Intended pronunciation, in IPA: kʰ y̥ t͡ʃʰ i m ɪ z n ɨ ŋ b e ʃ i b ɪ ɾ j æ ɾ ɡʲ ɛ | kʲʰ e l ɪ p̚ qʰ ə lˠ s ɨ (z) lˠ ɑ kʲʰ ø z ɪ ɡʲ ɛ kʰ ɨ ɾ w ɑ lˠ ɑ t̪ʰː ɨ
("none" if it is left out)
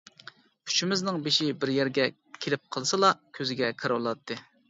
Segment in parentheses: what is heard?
none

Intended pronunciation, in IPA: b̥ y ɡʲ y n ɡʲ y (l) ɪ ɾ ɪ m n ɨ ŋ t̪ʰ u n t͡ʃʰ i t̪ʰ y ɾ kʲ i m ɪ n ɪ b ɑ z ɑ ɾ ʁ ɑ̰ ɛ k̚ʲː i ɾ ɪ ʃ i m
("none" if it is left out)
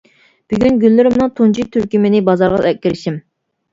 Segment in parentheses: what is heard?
lː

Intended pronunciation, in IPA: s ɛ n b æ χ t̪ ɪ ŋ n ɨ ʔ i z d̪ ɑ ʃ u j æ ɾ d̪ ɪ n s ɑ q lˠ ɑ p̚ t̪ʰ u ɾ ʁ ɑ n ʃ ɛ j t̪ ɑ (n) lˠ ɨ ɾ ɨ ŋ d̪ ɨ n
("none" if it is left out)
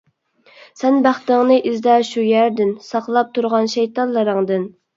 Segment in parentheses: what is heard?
n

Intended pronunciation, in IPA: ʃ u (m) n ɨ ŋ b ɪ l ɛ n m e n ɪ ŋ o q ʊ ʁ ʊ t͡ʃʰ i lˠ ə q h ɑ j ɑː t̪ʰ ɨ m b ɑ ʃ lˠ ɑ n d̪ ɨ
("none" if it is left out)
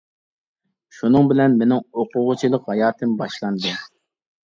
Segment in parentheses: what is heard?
none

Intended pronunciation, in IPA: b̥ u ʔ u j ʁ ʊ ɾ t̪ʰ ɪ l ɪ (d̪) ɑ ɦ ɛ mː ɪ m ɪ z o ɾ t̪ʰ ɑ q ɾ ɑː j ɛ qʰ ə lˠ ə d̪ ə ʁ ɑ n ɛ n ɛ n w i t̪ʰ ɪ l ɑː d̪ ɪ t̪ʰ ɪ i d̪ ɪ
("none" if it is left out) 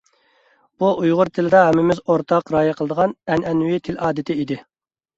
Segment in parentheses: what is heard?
d̪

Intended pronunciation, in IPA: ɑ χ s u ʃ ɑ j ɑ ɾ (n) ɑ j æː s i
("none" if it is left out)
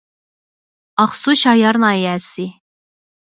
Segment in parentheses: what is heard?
n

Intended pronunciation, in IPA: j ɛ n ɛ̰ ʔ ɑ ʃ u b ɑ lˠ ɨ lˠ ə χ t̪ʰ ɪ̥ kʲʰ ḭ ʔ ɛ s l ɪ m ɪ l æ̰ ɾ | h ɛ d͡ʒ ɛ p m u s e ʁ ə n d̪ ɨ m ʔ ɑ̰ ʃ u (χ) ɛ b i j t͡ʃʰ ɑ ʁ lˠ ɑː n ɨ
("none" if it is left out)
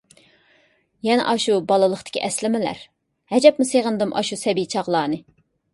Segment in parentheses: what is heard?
s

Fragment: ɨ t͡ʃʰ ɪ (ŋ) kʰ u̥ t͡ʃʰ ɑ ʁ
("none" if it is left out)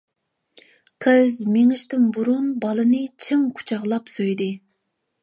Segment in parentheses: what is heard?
ŋ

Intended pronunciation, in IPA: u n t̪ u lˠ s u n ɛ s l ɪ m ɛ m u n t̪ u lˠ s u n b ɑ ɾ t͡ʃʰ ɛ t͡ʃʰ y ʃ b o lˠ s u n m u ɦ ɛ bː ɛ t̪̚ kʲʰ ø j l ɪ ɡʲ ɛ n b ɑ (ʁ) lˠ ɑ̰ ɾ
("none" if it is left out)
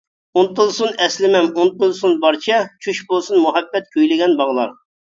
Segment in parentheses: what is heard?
ʁ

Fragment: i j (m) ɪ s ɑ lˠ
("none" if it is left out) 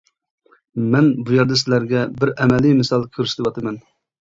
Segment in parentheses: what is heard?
m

